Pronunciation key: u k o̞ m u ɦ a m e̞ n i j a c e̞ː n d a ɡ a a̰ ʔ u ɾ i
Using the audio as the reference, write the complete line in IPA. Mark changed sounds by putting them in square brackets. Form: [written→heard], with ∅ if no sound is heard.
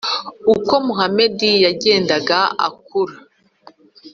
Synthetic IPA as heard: u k o̞ m u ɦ a m e̞ [n→d] i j a [c→ɟ] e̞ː n d a ɡ a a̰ [ʔ→k] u ɾ [i→a]